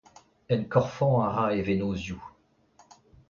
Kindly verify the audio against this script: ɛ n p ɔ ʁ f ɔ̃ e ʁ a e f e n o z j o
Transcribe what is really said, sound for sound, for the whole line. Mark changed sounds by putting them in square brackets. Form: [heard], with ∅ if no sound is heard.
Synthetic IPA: ɛ n [k] ɔ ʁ f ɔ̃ [a] ʁ a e [v] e n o z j [u]